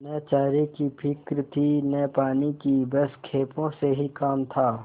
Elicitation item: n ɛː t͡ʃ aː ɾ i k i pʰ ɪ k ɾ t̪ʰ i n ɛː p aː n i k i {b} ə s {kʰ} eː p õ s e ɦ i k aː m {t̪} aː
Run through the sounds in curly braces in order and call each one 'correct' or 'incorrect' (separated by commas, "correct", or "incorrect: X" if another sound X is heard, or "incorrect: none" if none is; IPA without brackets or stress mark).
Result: correct, correct, incorrect: t̪ʰ